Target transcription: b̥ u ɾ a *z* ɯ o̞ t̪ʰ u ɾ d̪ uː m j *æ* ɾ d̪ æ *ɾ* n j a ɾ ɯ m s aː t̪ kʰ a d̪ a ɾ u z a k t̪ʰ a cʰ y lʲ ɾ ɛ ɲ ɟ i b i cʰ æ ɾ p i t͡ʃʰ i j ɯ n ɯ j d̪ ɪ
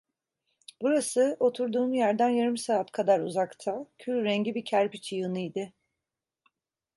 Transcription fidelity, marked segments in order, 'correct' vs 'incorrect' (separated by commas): incorrect, correct, incorrect